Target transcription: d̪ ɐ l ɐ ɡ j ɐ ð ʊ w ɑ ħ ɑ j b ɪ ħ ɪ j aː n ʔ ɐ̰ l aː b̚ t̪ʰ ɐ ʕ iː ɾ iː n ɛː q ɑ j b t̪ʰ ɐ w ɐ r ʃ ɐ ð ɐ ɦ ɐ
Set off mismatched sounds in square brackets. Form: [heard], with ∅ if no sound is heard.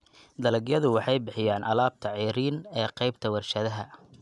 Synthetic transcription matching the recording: d̪ ɐ l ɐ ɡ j ɐ ð ʊ w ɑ ħ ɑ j b ɪ ħ ɪ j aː n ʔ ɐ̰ l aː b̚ t̪ʰ ɐ ʕ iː ɾ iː n ɛː q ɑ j b t̪ʰ ɐ w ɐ r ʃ ɐ ð ɐ ɦ ɐ

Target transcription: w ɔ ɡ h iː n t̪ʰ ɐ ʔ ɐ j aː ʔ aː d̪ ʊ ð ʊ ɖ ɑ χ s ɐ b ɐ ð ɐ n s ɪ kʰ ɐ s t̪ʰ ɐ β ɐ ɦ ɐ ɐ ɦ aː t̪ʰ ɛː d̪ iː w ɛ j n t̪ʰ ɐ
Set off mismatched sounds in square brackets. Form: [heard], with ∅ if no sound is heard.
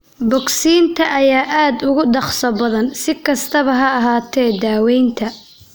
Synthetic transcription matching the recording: [b] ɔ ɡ [s] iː n t̪ʰ ɐ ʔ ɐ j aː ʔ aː d̪ ʊ [ɣ] ʊ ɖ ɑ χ s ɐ b ɐ ð ɐ n s ɪ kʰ ɐ s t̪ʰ ɐ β ɐ ɦ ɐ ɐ ɦ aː t̪ʰ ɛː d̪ [aː] w ɛ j n t̪ʰ ɐ

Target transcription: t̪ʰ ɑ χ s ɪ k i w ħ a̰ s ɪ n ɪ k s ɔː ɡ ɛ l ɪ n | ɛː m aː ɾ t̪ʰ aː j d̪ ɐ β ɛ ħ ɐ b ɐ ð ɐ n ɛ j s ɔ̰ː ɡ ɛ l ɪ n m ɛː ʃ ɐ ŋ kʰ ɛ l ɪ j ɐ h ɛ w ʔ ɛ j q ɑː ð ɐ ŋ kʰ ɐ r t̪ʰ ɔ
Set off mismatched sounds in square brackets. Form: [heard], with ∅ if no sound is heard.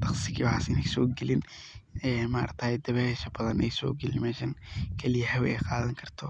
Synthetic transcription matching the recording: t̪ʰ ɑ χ s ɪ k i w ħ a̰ s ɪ n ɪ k s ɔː ɡ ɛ l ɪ n | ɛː m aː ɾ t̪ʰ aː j d̪ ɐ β ɛ [ʃ] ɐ b ɐ ð ɐ n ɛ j s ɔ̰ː ɡ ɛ l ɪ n m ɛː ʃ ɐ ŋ kʰ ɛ l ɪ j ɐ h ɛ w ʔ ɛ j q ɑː ð ɐ ŋ kʰ ɐ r t̪ʰ ɔ

